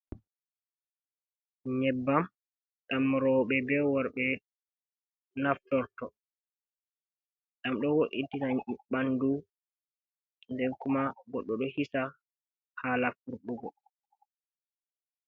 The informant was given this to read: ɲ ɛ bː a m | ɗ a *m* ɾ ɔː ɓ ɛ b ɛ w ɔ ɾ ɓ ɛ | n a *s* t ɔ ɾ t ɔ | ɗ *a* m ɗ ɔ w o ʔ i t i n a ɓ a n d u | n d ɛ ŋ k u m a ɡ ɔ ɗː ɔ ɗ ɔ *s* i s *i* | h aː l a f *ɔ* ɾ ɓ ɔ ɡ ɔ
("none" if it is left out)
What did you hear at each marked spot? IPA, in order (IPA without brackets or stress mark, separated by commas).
m, f, a, h, a, u